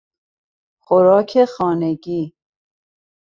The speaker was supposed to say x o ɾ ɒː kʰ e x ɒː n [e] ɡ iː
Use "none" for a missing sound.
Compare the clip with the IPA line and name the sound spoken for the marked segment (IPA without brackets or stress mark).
e